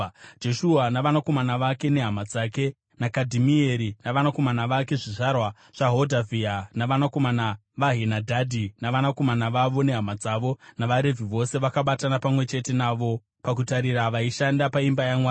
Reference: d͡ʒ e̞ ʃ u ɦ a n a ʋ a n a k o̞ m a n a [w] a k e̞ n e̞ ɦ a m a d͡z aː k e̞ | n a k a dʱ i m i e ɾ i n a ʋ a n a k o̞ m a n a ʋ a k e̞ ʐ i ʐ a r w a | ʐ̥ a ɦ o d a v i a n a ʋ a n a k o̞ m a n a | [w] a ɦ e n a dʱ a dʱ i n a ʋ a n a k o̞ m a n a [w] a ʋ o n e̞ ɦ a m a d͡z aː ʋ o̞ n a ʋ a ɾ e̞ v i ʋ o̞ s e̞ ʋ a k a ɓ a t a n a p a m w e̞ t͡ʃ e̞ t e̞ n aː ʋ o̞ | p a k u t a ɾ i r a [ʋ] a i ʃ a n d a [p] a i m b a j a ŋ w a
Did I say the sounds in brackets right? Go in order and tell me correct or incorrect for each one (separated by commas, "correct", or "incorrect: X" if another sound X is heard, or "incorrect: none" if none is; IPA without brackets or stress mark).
incorrect: ʋ, incorrect: ʋ, incorrect: ʋ, correct, correct